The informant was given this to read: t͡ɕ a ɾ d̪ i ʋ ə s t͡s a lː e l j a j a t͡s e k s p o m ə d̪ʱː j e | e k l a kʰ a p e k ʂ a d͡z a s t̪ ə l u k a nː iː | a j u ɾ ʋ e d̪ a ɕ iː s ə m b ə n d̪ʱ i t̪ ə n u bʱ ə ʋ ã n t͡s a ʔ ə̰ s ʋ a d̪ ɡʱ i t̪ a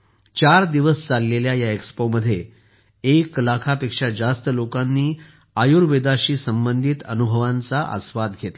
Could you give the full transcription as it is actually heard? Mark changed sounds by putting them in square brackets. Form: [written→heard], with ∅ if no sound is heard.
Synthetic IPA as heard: t͡ɕ a ɾ d̪ i ʋ ə s t͡s a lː e l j a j a [t͡s→∅] e k s p o m ə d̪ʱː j e | e k l a kʰ a p e k ʂ a d͡z a s t̪ ə l [u→o] k a nː iː | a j u ɾ ʋ e d̪ a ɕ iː s ə m b ə n d̪ʱ i t̪ ə n u bʱ ə ʋ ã n t͡s a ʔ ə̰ s ʋ a d̪ ɡʱ [i→e] t̪ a